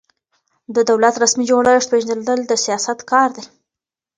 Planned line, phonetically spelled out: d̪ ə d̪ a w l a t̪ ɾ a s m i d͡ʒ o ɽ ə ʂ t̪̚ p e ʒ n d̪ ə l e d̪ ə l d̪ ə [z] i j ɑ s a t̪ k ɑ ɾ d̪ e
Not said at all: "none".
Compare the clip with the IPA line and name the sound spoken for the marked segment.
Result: s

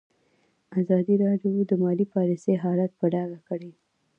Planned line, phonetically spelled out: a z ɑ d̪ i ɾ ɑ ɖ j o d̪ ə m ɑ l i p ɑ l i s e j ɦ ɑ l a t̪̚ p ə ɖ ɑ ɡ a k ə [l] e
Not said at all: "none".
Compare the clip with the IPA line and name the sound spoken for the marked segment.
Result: ɽ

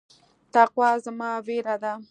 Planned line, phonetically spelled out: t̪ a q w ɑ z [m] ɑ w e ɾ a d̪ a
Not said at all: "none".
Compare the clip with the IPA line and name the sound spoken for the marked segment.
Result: m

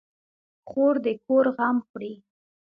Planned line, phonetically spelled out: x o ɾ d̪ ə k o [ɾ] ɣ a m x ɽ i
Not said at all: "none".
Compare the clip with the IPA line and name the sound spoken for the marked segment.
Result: ɾ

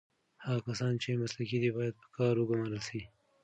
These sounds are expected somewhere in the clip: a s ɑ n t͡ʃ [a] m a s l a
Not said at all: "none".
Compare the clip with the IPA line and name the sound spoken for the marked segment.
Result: e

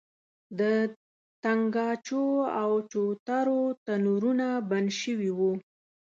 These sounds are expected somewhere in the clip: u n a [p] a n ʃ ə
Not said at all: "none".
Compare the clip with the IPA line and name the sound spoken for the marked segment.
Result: b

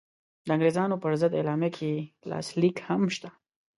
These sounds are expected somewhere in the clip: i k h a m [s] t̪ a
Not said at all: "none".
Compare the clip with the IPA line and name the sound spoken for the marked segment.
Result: ʃ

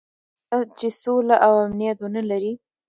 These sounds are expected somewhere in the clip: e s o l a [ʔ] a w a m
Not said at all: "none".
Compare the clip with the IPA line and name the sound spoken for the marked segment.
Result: ʔ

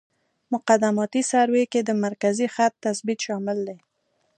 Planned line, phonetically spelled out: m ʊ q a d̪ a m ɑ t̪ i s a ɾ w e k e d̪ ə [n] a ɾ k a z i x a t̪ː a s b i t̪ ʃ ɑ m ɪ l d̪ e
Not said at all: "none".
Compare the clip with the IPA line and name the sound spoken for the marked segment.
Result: m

